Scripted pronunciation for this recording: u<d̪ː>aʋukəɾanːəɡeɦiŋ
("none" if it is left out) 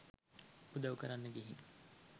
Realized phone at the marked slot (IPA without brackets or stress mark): d̪